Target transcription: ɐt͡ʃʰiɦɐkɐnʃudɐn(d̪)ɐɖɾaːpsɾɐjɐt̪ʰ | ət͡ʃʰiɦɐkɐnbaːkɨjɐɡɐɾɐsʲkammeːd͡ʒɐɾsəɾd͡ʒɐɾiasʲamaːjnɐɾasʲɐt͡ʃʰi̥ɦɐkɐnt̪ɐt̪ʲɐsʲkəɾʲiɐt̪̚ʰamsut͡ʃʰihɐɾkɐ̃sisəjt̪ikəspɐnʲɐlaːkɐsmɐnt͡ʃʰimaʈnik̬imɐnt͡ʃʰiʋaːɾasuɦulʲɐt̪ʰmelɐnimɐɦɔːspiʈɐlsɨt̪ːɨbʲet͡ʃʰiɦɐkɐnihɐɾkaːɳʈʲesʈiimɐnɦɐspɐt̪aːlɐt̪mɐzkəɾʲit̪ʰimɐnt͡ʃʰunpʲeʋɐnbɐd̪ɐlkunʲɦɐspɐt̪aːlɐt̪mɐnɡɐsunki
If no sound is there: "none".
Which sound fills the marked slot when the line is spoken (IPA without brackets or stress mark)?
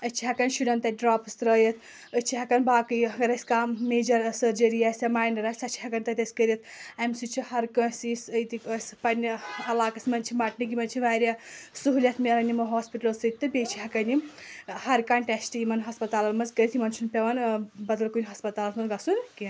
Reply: t̪